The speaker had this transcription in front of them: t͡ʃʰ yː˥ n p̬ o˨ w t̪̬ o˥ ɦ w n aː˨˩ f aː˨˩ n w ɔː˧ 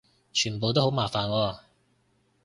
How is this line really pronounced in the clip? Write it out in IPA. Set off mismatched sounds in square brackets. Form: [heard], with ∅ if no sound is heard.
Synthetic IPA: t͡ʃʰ [yː˨˩] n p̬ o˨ w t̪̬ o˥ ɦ w [m] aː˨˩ f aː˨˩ n w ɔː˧